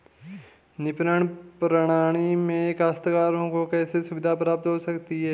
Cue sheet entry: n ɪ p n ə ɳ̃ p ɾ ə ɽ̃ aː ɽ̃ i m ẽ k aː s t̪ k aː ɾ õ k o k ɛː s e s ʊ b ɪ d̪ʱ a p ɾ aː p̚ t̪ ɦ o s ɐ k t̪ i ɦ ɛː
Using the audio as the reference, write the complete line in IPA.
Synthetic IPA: n ɪ p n ə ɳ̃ p ɾ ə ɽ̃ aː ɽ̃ i m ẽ k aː s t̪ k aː ɾ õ k o k ɛː s e s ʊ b ɪ d̪ʱ a p ɾ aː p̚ t̪ ɦ o s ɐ k t̪ i ɦ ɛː